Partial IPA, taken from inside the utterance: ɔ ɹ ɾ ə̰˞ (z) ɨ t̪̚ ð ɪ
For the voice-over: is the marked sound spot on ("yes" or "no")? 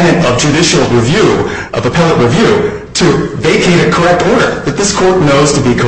no